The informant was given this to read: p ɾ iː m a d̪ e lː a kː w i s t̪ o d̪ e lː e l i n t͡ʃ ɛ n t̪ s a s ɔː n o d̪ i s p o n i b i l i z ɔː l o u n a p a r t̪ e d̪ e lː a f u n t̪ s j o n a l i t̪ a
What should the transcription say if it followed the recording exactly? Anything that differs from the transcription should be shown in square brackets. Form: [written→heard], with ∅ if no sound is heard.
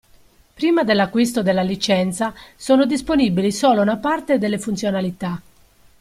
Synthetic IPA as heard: p ɾ iː m a d̪ e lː a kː w i s t̪ o d̪ e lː [e→a] l i [n→∅] t͡ʃ ɛ n t̪ s a s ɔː n o d̪ i s p o n i b i l i [z→s] ɔː l o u n a p a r t̪ e d̪ e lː [a→e] f u n t̪ s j o n a l i t̪ a

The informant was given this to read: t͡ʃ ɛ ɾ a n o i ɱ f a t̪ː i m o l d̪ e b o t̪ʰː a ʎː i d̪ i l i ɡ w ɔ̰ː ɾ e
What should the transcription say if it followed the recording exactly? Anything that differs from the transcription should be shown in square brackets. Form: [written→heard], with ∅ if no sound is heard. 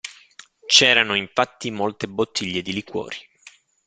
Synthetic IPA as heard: t͡ʃ [ɛ→ɛː] ɾ a n o i ɱ f a t̪ː i m o l [d̪→t̪] e b o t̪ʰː [a→i] ʎː [i→e] d̪ i l i [ɡ→k] w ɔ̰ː ɾ [e→i]

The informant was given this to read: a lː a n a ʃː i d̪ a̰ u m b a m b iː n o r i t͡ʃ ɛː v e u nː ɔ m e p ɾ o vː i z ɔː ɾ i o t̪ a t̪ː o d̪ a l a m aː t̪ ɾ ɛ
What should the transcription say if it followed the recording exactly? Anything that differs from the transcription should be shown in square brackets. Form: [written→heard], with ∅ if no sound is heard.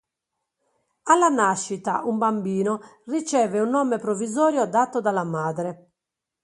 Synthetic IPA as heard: a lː a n a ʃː i [d̪→t̪] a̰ u m b a m b iː n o r i t͡ʃ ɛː v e u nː ɔ m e p ɾ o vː i z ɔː ɾ [i→j] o [t̪→d̪] a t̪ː o d̪ a l a m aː [t̪→d̪] ɾ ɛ

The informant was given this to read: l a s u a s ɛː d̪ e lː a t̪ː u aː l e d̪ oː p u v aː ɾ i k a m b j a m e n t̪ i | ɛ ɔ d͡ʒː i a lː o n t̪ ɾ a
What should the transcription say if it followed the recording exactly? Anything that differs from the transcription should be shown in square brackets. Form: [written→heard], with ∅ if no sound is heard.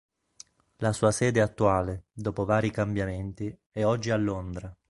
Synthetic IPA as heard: l a s [u→uː] a s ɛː d̪ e [lː→∅] a t̪ː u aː l e d̪ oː p [u→o] v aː ɾ i k a m b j a m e n t̪ i | ɛ ɔ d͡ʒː i a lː o n [t̪→d̪] ɾ a

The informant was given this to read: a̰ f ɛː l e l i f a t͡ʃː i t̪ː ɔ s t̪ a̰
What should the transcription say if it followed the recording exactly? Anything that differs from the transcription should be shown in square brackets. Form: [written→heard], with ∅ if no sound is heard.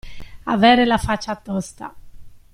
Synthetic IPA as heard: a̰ [f→v] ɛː [l→ɾ] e l [i→a] f a t͡ʃː [i→a] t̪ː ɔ s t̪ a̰

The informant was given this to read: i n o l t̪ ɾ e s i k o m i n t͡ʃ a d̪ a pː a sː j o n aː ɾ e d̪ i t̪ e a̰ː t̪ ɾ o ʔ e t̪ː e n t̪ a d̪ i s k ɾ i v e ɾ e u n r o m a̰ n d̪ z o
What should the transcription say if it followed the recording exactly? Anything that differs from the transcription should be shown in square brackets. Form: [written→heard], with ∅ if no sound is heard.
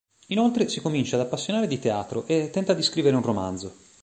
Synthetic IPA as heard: i n o l t̪ ɾ e s i k o m i n t͡ʃ a d̪ a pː a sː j o n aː ɾ e d̪ i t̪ e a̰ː t̪ ɾ o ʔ e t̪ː [e→ɛ] n t̪ a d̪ i s k ɾ i v e ɾ e u n r o m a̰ n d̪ z o

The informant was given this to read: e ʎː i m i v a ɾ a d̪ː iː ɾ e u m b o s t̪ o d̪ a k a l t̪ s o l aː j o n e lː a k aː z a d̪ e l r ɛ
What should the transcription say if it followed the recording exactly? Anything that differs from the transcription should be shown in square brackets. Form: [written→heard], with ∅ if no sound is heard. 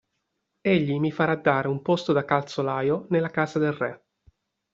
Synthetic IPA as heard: e ʎː i m i [v→f] a ɾ a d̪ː [iː→aː] ɾ e u m [b→p] o s t̪ o d̪ a k a l t̪ s o l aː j o n e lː a k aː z a d̪ e l r ɛ

